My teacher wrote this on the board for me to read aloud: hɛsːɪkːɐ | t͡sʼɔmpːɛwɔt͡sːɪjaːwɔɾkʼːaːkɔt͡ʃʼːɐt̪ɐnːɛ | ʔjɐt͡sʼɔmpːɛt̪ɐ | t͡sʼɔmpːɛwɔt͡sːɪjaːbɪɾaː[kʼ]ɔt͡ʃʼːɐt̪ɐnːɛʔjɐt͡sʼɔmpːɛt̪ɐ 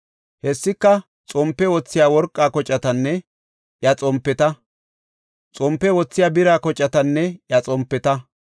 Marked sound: incorrect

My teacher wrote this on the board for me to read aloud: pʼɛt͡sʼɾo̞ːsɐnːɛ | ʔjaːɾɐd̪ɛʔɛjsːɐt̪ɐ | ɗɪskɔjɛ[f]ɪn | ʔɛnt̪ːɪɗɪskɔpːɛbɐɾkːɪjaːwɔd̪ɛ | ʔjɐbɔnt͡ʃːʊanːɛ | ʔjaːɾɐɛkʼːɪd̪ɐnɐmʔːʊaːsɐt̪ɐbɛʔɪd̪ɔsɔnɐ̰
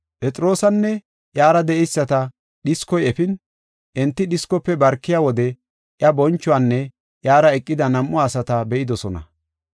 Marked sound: correct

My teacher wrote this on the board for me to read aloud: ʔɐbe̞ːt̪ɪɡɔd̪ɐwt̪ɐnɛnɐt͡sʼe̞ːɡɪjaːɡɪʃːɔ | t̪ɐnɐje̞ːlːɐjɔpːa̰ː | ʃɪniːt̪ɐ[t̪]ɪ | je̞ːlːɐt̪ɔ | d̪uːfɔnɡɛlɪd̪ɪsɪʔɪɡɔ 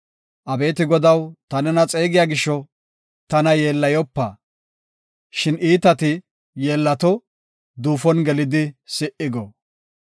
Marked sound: correct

